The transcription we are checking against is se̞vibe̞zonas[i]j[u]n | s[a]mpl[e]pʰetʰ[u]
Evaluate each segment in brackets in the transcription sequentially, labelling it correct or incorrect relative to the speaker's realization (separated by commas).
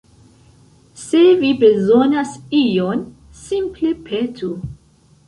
correct, incorrect, incorrect, correct, correct